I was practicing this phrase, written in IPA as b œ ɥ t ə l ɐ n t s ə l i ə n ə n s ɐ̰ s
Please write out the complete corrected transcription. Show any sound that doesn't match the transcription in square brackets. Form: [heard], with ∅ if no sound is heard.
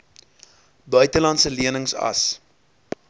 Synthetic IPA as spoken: b œ ɥ t ə l ɐ n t s ə l i ə n ə [ŋ] s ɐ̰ s